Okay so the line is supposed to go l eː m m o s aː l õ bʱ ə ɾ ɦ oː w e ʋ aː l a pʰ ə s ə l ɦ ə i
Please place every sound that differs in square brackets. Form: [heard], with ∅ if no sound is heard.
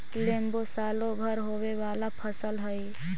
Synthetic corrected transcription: l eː m [b] o s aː l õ bʱ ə ɾ ɦ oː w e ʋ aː l a pʰ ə s ə l ɦ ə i